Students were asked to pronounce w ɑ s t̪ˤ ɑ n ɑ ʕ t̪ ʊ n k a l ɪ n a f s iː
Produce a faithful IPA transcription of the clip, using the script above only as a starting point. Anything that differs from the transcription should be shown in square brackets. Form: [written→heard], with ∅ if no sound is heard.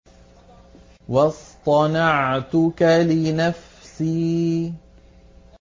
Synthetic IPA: w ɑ s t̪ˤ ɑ n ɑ ʕ t̪ ʊ [n→∅] k a l ɪ n a f s iː